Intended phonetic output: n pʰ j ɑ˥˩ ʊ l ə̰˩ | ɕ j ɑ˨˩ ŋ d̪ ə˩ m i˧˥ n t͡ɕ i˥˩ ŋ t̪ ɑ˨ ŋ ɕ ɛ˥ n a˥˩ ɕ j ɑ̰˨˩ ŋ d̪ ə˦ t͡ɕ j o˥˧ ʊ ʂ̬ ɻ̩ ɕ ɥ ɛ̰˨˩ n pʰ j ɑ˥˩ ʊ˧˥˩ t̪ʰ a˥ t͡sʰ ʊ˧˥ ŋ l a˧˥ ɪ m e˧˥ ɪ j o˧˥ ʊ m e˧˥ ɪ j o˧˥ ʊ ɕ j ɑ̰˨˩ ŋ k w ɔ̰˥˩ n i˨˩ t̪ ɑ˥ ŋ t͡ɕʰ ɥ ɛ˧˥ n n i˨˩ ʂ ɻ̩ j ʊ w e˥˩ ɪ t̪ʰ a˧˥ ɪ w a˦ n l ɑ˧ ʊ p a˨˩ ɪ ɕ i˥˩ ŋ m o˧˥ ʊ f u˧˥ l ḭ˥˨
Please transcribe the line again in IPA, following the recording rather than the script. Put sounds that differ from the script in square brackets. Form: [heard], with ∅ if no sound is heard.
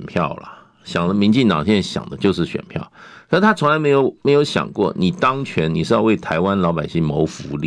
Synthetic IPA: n pʰ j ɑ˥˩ ʊ l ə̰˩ | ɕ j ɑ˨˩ ŋ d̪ [ə˦] m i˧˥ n t͡ɕ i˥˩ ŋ t̪ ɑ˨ ŋ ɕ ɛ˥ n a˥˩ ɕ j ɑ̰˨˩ ŋ d̪ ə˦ t͡ɕ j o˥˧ ʊ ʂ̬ ɻ̩ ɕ ɥ ɛ̰˨˩ n pʰ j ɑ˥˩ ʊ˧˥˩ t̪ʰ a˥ t͡sʰ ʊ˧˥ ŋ l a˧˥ ɪ m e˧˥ ɪ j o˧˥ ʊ m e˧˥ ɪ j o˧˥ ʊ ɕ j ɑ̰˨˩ ŋ k w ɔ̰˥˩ n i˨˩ t̪ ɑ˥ ŋ t͡ɕʰ ɥ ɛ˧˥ n n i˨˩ ʂ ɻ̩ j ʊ w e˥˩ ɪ t̪ʰ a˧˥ ɪ w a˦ n l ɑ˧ ʊ p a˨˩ ɪ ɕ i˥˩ ŋ m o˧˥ ʊ f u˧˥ l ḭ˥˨